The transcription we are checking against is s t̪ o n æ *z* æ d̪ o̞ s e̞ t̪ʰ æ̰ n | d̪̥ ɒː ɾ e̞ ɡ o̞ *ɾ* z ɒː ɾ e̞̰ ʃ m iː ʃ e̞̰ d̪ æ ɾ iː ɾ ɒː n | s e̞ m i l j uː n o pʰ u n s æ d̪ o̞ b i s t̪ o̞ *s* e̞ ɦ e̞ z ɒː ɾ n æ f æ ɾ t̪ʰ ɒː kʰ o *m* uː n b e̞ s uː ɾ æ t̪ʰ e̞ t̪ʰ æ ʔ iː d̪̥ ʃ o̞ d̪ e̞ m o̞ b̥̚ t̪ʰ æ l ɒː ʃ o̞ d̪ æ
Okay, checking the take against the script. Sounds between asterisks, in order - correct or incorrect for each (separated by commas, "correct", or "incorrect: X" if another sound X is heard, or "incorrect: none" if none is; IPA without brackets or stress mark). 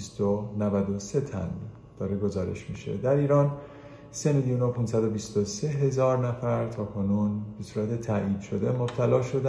incorrect: v, incorrect: none, correct, incorrect: n